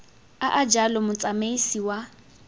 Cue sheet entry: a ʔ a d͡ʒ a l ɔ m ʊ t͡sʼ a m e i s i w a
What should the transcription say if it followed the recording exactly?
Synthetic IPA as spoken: a ʔ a d͡ʒ a l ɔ m ʊ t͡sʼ a m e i s i w a